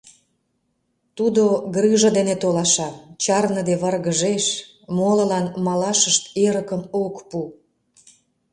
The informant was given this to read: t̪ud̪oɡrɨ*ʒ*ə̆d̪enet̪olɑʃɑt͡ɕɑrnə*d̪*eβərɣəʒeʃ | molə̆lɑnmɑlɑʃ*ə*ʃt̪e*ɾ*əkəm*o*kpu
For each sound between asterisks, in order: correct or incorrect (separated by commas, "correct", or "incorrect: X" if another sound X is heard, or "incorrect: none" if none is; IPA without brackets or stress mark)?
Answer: correct, correct, correct, correct, correct